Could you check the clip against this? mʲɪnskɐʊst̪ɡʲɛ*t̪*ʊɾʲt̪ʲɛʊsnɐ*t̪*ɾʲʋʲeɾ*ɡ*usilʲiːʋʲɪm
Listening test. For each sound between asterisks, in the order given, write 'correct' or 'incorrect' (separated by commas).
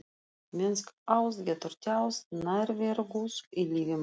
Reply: correct, incorrect, correct